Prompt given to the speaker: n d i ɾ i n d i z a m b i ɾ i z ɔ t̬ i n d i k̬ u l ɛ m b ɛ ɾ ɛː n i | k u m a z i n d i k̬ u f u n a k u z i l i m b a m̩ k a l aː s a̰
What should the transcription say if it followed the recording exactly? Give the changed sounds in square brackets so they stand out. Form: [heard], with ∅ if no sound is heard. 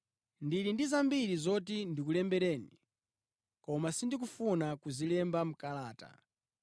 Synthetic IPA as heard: n d i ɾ i n d i z a m b i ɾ i z ɔ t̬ i n d i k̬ u l ɛ m b ɛ ɾ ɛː n i | k [ɔ] m a [s] i n d i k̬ u f u n a k u z i l [ɛ] m b a m̩ k a l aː [t] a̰

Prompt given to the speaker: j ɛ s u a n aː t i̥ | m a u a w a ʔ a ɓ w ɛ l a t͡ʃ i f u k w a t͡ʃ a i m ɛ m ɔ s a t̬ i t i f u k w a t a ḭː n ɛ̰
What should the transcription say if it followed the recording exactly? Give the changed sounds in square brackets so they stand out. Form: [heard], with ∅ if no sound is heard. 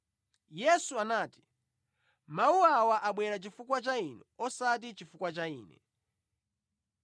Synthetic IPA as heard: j ɛ s u a n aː t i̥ | m a u a w a ʔ a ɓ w ɛ [ɾ] a t͡ʃ i f u k w a t͡ʃ a i [n] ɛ [∅] ɔ s a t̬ i [t͡ʃ] i f u k w a [t͡ʃ] a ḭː n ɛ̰

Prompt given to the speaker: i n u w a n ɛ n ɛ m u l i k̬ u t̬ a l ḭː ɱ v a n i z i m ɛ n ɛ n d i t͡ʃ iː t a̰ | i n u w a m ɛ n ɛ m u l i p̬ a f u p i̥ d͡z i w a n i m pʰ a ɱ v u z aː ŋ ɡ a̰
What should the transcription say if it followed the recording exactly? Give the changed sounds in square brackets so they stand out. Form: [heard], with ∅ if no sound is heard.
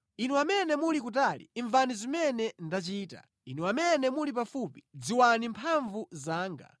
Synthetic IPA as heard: i n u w a [m] ɛ n ɛ m u l i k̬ u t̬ a l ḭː ɱ v a n i z i m ɛ n ɛ n d [a] t͡ʃ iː t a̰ | i n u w a m ɛ n ɛ m u l i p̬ a f u p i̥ d͡z i w a n i m pʰ a ɱ v u z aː ŋ ɡ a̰

